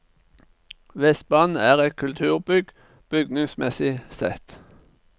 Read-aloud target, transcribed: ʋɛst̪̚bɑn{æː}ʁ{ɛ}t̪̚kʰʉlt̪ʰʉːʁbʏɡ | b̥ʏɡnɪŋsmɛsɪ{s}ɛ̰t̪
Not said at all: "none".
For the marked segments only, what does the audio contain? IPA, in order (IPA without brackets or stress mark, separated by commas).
æː, ɛ, s